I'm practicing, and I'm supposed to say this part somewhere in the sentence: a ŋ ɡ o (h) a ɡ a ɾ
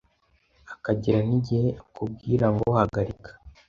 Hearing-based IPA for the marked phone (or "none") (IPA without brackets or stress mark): h